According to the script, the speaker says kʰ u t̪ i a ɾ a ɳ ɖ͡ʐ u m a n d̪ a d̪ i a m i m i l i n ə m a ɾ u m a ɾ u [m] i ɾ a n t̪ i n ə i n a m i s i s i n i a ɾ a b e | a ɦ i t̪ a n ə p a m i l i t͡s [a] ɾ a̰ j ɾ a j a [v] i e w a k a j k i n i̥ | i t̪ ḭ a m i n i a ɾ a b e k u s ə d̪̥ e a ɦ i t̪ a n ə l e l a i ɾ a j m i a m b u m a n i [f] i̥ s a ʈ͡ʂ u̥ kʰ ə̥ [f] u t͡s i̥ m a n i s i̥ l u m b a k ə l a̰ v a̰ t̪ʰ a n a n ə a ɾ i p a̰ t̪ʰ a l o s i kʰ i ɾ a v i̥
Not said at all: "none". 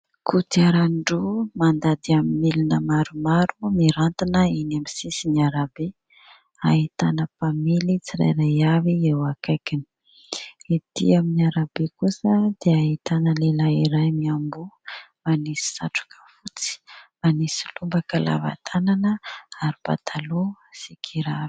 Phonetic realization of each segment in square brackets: m, i, v, s, f

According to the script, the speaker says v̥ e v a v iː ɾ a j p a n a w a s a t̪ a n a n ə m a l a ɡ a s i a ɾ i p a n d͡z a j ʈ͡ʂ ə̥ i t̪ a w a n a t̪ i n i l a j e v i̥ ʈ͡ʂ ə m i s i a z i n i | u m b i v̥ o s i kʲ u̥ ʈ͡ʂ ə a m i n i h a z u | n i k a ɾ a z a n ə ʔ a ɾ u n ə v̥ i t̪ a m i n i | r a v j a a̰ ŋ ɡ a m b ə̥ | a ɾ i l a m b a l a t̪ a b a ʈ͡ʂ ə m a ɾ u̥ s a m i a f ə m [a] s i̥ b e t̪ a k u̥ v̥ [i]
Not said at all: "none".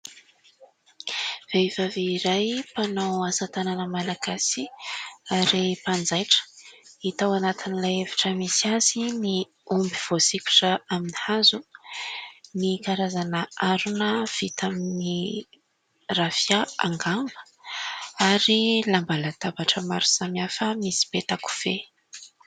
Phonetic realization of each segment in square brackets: i, e

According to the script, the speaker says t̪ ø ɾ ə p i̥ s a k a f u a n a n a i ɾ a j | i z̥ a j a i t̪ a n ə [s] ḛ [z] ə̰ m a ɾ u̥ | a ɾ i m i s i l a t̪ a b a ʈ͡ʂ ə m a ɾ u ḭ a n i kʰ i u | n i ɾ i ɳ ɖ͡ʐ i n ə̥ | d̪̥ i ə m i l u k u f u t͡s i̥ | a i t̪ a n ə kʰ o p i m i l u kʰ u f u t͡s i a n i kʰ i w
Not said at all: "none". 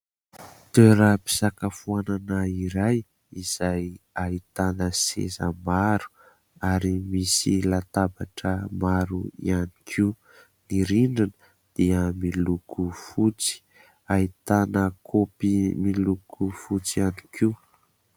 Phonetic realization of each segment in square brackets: s, z

